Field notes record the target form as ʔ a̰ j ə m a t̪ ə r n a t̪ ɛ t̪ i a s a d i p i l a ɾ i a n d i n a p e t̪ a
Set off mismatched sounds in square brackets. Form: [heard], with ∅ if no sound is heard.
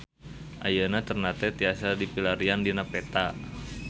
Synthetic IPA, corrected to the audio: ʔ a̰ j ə [n] a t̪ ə r n a t̪ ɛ t̪ i a s a d i p i l a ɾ i a n d i n a p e t̪ a